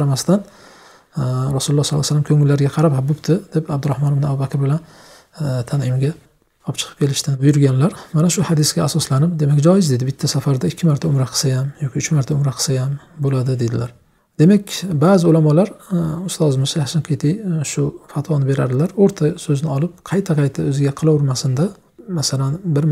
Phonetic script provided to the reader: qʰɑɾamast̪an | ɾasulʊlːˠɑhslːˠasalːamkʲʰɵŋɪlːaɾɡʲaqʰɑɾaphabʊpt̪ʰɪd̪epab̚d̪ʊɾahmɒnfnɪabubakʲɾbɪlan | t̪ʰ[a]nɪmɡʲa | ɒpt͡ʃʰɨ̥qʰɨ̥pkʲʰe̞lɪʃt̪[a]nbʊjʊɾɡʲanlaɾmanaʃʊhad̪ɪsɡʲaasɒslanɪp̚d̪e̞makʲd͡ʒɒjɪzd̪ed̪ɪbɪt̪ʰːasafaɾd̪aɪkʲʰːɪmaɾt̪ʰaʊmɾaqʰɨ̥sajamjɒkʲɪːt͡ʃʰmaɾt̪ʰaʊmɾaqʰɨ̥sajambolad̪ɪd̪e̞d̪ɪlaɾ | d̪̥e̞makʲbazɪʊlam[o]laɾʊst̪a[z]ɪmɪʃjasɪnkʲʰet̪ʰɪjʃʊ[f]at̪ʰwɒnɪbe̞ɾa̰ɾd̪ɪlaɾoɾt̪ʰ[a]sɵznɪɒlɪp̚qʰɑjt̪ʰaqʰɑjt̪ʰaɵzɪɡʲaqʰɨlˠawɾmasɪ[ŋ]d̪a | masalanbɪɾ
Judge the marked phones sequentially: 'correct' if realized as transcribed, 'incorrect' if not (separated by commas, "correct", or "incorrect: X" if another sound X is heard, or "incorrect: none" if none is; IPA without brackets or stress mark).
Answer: correct, correct, incorrect: ɒ, correct, correct, correct, incorrect: n